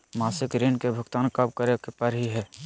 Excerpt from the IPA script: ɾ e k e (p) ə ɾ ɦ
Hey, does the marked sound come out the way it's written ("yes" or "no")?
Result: yes